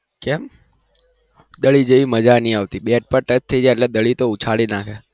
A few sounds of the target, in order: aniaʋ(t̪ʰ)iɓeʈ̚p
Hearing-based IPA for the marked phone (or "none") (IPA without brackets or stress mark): t̪